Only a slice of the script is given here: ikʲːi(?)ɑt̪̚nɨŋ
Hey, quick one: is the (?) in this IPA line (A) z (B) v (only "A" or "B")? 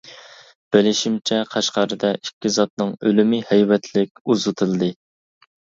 A